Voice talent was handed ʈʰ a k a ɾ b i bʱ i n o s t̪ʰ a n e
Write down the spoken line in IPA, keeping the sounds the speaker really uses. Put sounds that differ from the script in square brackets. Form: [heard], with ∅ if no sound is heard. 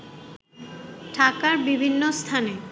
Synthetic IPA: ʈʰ a k a ɾ b i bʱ i [nː] o s t̪ʰ a n e